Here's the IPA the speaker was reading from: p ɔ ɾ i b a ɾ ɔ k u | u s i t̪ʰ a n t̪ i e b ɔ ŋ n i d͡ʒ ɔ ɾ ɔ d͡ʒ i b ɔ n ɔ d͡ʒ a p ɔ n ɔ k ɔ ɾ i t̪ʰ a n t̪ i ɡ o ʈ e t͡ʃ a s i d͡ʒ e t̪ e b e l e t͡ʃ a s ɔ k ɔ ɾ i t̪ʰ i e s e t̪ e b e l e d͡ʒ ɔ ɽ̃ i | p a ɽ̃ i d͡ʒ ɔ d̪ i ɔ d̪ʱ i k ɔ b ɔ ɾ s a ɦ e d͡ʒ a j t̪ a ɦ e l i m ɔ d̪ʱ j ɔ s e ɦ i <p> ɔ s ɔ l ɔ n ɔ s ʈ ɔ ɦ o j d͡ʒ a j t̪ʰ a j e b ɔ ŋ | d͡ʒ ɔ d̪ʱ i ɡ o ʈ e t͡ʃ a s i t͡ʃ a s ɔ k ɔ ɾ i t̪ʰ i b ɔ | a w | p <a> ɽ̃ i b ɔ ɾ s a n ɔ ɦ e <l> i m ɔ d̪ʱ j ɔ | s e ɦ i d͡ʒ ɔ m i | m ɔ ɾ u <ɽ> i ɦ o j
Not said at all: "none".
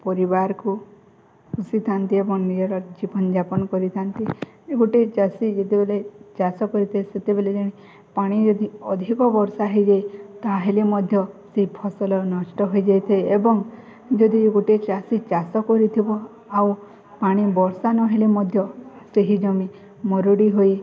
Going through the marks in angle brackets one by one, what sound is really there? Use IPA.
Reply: pʰ, a, l, ɽ

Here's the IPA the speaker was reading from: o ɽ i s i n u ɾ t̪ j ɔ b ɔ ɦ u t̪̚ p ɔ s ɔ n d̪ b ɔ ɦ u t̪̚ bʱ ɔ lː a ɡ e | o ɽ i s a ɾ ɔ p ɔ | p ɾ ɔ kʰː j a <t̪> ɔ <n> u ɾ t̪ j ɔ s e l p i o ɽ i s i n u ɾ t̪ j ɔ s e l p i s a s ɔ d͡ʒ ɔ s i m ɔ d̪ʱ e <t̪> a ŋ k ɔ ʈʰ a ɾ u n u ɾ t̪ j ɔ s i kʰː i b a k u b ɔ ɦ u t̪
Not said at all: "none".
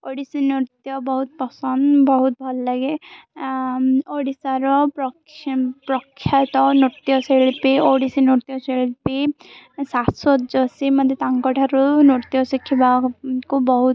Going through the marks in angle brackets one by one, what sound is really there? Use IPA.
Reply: t̪, n, t̪

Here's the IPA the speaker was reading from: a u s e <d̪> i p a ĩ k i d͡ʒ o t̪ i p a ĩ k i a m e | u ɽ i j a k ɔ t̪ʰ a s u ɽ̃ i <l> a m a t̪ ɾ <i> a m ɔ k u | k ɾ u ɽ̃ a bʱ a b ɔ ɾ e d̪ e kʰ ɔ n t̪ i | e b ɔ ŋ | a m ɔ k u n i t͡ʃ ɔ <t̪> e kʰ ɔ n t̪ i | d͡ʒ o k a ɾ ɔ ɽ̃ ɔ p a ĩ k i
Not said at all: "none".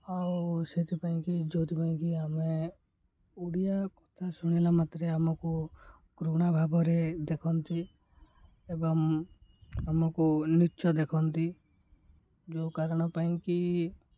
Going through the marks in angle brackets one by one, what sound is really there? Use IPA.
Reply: t̪, l, e, d̪

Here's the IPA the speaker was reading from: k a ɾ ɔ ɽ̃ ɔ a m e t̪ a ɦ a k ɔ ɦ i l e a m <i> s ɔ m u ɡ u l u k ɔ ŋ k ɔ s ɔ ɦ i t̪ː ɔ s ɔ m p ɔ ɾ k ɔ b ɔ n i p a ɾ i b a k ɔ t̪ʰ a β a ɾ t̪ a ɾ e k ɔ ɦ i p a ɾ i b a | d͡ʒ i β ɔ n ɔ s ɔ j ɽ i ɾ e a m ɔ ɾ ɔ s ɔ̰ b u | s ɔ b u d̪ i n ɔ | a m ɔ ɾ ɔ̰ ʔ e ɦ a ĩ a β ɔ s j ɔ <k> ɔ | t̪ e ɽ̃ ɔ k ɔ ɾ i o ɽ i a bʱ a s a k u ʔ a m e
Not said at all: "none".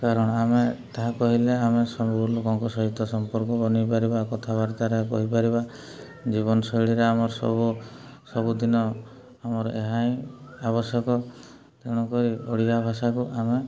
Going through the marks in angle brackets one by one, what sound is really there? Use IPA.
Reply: e, k

